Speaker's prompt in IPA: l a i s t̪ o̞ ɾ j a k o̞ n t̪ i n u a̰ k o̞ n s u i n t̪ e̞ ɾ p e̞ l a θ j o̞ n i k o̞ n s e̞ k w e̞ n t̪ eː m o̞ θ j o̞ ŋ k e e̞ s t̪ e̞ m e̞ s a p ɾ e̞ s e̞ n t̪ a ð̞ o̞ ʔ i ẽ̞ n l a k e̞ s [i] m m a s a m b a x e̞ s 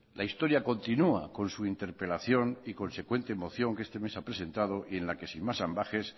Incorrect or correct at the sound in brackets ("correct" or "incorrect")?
correct